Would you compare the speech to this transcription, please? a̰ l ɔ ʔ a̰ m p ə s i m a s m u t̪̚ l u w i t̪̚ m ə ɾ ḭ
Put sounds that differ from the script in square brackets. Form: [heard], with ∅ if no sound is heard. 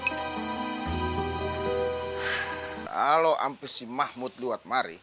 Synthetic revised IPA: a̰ l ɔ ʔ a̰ m p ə s i m a [h] m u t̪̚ l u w [a] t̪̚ m [a] ɾ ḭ